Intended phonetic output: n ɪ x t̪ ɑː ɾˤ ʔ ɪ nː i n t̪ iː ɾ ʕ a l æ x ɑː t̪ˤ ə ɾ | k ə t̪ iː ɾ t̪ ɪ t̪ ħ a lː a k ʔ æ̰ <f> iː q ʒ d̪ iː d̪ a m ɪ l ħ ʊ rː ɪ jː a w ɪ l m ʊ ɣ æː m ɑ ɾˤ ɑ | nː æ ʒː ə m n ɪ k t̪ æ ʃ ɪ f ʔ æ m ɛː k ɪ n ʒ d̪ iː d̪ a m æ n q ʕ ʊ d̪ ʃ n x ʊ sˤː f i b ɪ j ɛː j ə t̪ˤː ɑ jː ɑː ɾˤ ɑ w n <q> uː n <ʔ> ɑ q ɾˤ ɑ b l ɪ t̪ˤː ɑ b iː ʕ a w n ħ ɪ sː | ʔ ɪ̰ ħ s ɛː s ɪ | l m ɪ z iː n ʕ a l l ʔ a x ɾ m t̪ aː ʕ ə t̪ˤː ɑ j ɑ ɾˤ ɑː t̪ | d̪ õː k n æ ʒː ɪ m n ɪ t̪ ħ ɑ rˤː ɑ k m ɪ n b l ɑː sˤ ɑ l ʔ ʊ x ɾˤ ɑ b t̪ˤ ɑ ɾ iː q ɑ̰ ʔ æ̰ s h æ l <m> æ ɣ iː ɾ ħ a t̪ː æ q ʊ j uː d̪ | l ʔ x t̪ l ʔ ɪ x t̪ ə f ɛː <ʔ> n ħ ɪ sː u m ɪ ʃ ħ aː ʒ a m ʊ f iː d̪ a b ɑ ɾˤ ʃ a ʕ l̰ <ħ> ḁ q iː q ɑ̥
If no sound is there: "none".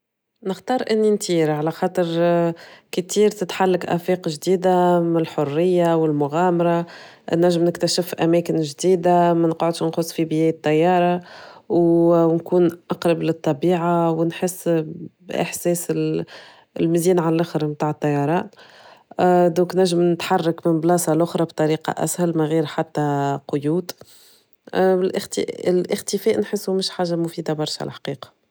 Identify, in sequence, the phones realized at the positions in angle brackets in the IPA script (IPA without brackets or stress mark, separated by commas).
f, k, ʔ, m, ʔ, ħ